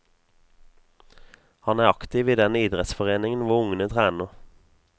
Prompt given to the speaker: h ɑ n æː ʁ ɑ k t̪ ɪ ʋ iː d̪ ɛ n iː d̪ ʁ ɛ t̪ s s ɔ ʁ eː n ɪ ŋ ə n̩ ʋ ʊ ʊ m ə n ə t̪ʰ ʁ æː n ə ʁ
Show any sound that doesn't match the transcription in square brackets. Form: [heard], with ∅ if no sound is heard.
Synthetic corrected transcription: h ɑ n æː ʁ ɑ k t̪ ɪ ʋ iː d̪ ɛ n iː d̪ ʁ ɛ t̪ s [f] ɔ ʁ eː n ɪ ŋ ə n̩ ʋ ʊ ʊ [ŋ] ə n ə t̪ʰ ʁ æː n ə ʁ